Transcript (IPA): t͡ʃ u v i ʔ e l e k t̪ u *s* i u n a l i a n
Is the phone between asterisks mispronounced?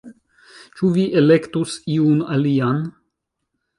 no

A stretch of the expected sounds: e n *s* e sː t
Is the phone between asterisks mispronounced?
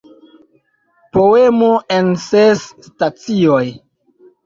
no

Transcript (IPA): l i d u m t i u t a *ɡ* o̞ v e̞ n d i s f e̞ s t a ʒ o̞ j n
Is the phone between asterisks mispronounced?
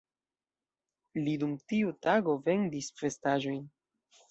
no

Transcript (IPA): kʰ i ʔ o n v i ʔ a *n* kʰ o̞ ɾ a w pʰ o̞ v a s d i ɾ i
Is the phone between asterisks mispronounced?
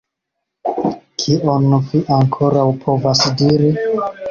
yes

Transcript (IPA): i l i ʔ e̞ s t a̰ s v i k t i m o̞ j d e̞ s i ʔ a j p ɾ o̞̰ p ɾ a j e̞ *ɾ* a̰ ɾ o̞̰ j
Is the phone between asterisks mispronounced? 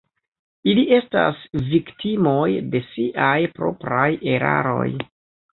no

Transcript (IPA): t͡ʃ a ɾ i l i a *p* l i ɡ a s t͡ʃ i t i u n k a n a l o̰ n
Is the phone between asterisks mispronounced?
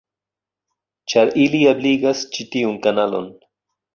yes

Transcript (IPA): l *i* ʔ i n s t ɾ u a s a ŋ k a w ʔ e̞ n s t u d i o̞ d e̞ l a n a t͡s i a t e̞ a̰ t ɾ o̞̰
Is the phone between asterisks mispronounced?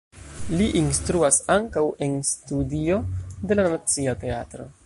no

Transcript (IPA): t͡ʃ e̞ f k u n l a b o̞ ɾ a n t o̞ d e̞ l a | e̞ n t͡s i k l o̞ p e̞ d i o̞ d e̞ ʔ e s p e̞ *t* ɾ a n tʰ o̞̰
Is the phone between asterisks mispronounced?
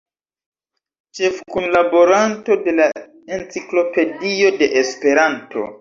yes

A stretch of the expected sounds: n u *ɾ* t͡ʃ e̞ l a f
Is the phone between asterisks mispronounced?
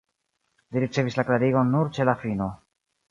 no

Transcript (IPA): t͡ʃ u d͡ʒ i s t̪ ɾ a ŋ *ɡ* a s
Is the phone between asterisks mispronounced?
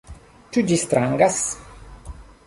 no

